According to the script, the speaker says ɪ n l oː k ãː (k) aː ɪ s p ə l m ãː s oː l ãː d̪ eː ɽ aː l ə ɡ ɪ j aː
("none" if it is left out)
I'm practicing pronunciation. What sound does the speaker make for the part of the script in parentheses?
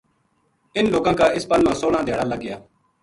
k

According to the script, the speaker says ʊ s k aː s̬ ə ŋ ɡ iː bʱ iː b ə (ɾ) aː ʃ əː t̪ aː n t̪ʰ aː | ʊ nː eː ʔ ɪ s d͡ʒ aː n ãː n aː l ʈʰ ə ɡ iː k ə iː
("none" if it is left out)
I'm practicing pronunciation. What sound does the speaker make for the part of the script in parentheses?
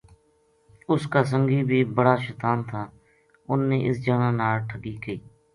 ɽ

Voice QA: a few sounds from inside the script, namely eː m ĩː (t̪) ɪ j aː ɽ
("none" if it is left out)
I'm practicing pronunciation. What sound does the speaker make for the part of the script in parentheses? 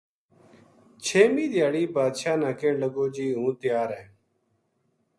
d̪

